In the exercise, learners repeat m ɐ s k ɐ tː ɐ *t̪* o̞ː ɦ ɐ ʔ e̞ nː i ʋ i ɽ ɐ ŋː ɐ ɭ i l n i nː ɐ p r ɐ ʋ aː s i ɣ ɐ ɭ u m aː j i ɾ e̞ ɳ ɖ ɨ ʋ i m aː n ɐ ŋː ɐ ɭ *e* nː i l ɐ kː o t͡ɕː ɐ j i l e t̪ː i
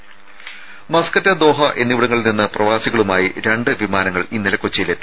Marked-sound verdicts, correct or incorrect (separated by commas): incorrect, incorrect